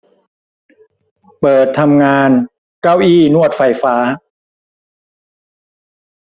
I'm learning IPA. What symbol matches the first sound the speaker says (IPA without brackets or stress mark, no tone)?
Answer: p